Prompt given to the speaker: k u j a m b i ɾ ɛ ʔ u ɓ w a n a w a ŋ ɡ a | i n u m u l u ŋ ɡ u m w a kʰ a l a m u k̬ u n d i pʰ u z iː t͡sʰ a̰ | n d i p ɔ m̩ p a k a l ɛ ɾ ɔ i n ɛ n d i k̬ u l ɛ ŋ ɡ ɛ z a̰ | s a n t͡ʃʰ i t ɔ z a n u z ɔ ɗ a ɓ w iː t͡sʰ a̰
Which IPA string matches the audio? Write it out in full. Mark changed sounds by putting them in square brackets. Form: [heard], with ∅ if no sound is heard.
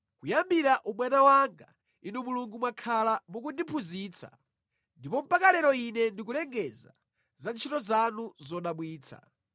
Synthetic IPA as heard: k u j a m b i ɾ [a] ʔ u ɓ w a n a w a ŋ ɡ a | i n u m u l u ŋ ɡ u m w a kʰ a l a m u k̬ u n d i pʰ u z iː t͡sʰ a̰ | n d i p ɔ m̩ p a k a l ɛ ɾ ɔ i n ɛ n d i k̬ u l ɛ ŋ ɡ ɛ z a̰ | [z] a n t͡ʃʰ i t ɔ z a n u z ɔ ɗ a ɓ w iː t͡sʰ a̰